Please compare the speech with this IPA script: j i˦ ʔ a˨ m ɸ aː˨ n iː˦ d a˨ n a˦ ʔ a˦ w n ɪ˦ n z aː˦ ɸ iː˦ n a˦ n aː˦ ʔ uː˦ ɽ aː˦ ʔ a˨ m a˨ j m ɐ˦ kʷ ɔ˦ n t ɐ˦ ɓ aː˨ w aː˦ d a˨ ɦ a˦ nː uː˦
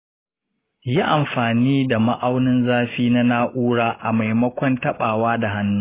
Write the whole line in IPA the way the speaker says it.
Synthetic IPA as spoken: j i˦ ʔ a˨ m ɸ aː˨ n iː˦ d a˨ m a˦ ʔ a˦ w n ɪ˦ n z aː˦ ɸ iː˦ n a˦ n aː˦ ʔ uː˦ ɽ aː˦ ʔ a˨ m a˨ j m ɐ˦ kʷ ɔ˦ n t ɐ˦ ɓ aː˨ w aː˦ d a˨ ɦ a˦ nː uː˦